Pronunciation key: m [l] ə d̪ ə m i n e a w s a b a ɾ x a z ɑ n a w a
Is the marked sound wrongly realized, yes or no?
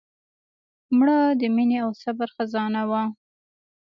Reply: yes